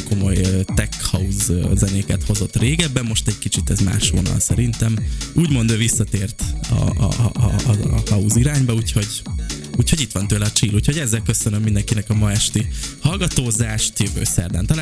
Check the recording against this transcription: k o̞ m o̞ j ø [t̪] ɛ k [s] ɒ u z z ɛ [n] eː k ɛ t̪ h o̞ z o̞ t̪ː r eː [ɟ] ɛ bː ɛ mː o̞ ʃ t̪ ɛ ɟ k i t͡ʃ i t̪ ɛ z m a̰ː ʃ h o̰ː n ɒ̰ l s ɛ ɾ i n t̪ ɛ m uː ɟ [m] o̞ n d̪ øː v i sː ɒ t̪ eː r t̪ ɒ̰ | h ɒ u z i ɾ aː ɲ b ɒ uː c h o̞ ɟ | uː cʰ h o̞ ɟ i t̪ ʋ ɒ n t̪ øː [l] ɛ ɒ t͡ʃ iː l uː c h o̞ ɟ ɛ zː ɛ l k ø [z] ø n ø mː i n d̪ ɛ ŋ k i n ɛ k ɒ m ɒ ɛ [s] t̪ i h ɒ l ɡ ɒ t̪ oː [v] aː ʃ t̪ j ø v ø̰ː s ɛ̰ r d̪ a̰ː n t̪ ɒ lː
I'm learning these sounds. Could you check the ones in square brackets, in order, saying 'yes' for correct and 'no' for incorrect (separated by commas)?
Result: yes, no, yes, no, yes, yes, no, no, no